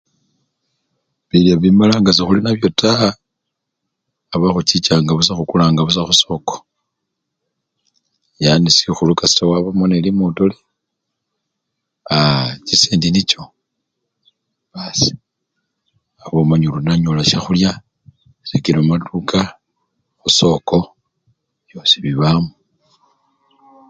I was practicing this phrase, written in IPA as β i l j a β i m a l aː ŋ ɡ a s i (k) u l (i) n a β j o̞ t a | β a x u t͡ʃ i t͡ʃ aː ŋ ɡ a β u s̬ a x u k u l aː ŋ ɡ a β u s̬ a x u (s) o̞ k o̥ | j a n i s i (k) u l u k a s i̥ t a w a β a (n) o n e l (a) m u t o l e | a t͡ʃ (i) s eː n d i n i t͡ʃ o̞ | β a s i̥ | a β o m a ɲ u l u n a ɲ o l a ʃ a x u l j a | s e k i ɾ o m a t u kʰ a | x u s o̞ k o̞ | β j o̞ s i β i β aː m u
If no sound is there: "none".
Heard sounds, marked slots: x, i, s, x, m, i, i

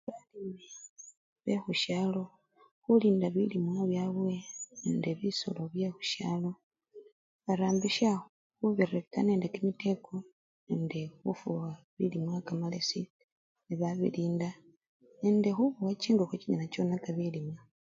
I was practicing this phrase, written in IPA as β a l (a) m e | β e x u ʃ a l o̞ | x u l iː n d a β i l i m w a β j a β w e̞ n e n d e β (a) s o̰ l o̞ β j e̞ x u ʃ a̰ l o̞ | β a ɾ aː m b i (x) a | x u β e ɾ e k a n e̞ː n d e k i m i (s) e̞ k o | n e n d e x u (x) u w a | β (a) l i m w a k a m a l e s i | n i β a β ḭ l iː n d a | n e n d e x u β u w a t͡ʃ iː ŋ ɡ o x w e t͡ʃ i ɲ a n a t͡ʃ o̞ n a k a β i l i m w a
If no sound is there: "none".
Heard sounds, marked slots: i, i, ʃ, t, f, i

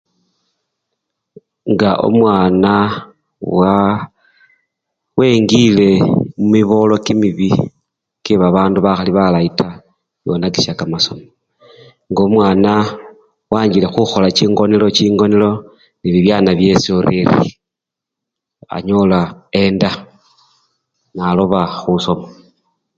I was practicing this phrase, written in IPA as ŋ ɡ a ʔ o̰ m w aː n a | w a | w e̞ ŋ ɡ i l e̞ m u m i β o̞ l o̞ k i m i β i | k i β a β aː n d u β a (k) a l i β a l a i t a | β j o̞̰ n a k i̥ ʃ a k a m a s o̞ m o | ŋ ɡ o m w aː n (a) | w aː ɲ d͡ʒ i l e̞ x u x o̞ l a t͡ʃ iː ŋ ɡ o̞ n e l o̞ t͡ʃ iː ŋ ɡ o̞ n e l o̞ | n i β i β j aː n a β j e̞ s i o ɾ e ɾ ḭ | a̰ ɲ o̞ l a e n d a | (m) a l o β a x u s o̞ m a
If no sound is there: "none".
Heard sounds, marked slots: x, a, n

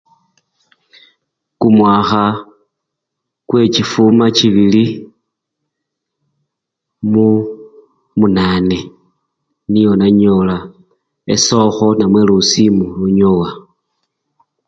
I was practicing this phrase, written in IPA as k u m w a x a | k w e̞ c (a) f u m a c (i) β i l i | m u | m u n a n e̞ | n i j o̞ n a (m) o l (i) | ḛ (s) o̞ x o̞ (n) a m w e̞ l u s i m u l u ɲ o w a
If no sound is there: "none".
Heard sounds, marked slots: i, i, ɲ, a, s, n

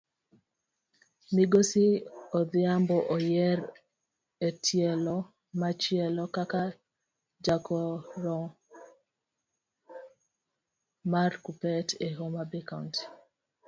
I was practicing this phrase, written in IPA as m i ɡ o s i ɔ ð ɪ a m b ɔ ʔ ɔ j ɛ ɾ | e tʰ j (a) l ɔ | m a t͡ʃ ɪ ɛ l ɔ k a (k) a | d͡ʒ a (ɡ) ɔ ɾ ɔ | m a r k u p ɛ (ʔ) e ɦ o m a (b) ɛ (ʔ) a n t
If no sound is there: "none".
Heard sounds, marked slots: ɛ, k, k, t, b, k

